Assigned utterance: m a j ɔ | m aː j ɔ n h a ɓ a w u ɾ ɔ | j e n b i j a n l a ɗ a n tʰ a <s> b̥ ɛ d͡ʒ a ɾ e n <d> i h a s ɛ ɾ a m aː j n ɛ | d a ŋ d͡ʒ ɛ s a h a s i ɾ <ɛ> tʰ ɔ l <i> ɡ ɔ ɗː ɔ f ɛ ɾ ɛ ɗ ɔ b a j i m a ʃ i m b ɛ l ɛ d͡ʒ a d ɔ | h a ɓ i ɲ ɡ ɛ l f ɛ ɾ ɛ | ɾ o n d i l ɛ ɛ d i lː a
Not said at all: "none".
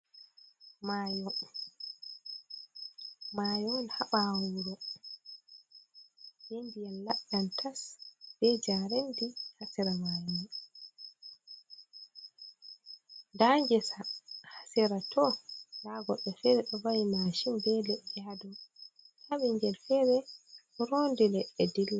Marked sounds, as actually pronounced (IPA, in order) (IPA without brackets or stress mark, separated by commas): s, d, a, a